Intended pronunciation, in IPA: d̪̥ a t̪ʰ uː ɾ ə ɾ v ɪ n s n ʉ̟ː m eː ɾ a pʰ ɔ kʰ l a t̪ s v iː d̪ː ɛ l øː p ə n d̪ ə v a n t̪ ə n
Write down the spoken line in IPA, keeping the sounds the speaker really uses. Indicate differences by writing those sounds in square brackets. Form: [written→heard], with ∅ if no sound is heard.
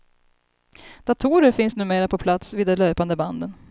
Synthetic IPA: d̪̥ a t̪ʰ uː ɾ ə ɾ [v→f] ɪ n s n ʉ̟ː m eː ɾ a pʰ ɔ [kʰ→pʰ] l a t̪ s v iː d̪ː ɛ l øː p [ə→a] n d̪ ə [v→b] a n [t̪→d̪] ə n